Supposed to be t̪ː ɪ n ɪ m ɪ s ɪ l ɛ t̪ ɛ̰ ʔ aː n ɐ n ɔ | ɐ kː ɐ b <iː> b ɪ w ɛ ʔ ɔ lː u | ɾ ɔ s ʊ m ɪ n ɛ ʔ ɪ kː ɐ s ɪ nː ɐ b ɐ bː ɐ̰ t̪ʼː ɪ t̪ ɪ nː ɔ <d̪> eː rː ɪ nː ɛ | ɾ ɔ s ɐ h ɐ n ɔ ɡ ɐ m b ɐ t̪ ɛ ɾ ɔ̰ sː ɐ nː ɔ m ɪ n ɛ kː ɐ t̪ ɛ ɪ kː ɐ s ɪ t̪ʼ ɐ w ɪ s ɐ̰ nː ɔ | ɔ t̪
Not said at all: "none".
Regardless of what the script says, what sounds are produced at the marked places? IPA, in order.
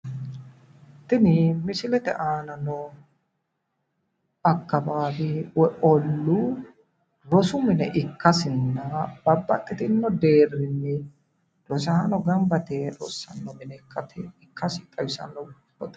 aː, d̪

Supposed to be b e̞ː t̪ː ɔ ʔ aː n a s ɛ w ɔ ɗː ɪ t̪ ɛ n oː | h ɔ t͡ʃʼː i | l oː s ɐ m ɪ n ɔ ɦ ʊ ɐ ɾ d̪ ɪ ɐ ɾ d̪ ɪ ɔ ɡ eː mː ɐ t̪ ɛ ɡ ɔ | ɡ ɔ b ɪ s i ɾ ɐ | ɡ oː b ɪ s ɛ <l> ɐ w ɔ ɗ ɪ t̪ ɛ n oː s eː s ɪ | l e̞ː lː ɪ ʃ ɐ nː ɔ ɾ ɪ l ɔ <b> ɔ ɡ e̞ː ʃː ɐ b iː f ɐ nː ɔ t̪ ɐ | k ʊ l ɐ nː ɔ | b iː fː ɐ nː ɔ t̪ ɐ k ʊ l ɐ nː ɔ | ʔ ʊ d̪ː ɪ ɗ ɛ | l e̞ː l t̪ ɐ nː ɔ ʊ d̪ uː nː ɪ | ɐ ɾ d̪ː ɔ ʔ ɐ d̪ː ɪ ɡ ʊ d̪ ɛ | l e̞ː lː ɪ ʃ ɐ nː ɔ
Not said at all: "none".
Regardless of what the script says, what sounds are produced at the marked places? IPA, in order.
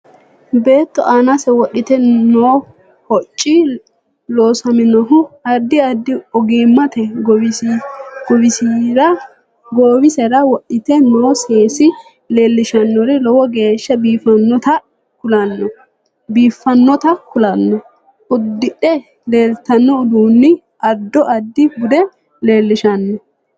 ɾ, w

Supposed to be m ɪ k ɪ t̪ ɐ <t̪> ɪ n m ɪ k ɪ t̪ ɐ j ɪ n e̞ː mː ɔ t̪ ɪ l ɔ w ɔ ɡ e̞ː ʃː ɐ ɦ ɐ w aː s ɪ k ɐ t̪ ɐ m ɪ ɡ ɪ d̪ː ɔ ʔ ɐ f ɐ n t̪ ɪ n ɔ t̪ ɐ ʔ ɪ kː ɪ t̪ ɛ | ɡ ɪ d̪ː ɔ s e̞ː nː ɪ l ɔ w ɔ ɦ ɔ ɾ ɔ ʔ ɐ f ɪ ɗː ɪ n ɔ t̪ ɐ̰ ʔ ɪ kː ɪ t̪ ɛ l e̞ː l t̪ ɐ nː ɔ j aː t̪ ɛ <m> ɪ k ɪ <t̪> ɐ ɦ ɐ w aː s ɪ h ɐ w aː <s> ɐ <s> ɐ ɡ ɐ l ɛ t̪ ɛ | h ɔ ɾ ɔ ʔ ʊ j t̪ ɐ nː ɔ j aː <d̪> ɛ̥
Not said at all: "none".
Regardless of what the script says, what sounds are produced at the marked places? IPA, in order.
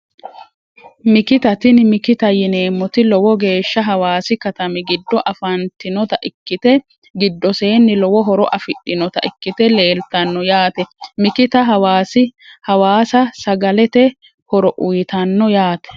t̪, m, t̪, s, s, t̪

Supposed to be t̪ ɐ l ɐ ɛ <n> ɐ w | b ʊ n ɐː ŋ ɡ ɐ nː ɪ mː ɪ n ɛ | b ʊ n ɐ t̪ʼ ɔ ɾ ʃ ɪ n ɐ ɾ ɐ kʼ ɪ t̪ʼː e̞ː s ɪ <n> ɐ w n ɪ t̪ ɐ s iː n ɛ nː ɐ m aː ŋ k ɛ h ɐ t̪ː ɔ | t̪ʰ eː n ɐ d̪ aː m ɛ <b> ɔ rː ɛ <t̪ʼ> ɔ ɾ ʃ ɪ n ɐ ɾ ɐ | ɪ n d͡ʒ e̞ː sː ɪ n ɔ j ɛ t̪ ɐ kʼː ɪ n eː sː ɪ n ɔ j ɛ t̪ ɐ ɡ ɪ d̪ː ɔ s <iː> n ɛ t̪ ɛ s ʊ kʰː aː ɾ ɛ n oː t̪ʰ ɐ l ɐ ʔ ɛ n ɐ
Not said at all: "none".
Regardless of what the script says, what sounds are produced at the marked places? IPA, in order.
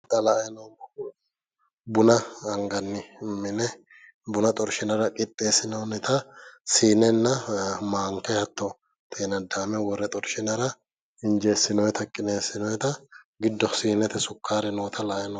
n, n, w, t̪ʼ, iː

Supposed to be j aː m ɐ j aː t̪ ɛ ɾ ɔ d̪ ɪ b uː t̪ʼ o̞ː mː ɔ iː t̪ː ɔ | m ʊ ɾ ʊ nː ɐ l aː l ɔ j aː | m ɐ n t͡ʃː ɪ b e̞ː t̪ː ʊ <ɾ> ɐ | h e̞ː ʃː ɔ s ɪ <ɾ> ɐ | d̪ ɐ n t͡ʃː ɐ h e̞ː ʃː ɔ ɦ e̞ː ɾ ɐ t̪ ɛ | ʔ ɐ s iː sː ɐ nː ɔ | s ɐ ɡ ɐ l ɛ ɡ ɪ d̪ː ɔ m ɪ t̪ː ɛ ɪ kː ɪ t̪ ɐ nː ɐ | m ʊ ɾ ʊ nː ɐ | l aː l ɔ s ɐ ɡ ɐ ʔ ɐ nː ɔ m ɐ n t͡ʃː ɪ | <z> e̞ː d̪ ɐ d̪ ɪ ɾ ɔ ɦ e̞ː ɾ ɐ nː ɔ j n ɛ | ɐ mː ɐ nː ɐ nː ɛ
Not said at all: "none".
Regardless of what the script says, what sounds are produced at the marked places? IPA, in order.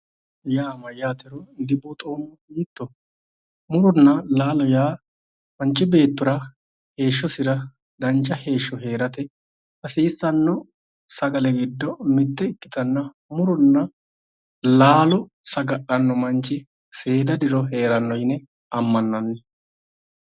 ɾ, ɾ, s

